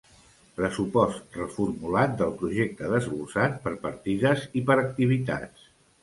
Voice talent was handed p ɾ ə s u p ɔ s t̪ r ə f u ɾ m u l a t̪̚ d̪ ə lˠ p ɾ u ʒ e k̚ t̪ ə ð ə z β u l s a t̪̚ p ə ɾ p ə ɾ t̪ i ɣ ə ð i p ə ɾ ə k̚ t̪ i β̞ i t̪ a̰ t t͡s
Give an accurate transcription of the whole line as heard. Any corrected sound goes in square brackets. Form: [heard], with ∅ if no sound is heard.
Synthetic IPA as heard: p ɾ ə s u p ɔ s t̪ r ə f u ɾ m u l a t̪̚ d̪ ə lˠ p ɾ u ʒ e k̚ t̪ ə ð ə z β u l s a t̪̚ p ə ɾ p ə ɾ t̪ i [ð] ə [z] i p ə ɾ ə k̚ t̪ i β̞ i t̪ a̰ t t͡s